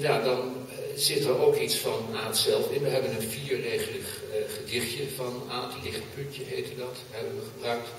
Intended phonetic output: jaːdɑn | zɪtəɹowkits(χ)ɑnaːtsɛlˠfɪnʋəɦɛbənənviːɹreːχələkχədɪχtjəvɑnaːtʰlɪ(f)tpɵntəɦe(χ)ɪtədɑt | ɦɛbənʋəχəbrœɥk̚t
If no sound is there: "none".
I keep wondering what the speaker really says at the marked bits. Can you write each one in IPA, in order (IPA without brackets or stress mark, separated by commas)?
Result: f, χ, none